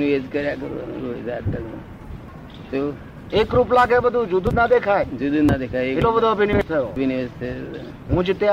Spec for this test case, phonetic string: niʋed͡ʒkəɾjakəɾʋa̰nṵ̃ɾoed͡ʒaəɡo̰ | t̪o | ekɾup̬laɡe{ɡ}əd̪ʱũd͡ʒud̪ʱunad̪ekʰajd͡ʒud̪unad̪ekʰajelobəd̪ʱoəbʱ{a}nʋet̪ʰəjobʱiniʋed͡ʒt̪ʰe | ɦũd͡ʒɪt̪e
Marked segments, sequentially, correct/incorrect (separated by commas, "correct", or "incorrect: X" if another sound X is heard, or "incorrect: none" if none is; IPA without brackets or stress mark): incorrect: b, incorrect: i